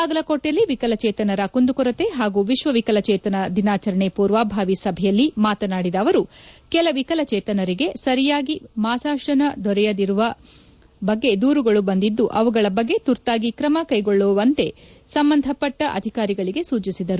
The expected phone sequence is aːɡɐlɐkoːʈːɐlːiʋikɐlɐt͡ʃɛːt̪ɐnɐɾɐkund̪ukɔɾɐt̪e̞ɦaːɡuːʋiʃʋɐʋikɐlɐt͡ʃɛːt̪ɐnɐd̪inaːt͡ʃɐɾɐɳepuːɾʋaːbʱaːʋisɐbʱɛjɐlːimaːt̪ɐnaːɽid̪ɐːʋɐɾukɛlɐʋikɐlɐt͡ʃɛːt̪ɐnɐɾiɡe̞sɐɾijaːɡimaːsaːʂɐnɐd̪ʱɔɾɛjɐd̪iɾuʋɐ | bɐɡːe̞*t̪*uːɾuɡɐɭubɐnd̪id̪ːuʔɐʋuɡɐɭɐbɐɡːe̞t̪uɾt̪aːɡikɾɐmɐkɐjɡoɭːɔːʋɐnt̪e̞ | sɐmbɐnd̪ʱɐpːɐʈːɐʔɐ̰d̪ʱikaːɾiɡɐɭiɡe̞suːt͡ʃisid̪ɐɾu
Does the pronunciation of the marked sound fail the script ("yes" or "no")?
yes